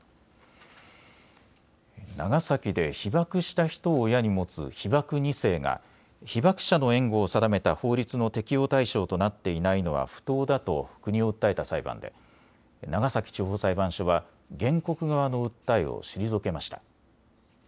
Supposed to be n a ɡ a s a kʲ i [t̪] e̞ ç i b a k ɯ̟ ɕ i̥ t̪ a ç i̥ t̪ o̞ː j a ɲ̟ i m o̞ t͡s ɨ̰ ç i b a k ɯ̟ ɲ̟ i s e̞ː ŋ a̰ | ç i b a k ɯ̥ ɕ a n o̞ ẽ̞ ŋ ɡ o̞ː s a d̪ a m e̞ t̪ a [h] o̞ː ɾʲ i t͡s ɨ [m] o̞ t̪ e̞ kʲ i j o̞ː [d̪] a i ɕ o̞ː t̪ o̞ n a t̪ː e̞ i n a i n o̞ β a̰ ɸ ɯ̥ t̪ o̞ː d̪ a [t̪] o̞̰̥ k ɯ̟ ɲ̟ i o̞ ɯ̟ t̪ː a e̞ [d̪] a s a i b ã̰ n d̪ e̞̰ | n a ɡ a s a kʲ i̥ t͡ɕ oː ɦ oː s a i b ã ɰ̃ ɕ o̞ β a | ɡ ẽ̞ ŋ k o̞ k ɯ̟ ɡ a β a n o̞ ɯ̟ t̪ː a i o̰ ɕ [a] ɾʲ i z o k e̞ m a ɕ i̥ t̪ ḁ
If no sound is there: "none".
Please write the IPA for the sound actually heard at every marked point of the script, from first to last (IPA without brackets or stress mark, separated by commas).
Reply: d̪, h, n, t̪, t̪, t̪, i